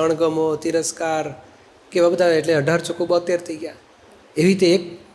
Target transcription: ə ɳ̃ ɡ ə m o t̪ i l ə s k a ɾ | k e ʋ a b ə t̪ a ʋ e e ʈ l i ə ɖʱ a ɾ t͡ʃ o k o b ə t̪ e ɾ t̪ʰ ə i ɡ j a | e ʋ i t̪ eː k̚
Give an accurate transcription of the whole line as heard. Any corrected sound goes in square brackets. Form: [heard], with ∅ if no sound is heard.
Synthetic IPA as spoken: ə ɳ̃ ɡ ə m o t̪ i [ɾ] ə s k a ɾ | k e ʋ a b ə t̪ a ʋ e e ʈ l [e] ə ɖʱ a ɾ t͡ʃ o k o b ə t̪ e ɾ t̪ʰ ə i ɡ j a | e ʋ i t̪ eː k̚